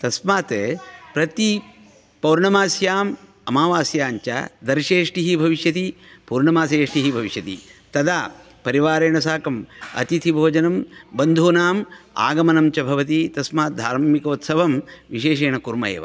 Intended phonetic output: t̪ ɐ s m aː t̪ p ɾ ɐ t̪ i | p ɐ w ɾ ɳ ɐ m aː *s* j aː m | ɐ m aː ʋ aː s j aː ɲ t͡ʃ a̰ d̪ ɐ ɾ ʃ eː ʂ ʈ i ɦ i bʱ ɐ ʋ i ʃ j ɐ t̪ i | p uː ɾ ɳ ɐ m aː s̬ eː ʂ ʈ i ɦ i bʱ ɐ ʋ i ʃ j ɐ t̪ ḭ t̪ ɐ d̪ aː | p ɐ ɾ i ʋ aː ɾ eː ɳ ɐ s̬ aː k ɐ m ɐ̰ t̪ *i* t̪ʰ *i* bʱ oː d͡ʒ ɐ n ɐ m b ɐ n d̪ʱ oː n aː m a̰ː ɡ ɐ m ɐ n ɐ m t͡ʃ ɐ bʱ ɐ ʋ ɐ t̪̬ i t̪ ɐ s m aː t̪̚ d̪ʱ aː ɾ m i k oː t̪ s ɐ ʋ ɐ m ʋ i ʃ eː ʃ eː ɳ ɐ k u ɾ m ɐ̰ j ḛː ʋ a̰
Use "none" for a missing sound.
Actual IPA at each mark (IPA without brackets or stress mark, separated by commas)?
s, i, i